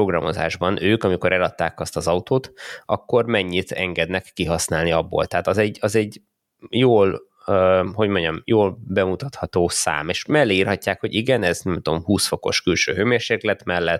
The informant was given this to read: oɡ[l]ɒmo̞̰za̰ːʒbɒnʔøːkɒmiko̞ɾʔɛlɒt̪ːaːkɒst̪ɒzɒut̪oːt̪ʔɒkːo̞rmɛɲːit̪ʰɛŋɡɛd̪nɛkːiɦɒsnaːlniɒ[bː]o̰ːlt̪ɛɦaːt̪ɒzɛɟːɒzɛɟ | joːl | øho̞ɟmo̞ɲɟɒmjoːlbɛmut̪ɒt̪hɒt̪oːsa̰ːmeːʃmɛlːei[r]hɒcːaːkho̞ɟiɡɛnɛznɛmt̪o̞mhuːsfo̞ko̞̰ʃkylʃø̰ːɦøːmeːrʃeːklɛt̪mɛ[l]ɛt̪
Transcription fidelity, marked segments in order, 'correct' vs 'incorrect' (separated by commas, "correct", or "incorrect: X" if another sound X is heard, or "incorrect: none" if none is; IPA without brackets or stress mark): incorrect: r, correct, correct, incorrect: lː